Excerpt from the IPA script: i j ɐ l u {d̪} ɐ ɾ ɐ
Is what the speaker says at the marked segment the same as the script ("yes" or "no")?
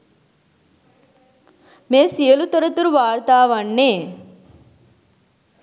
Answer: no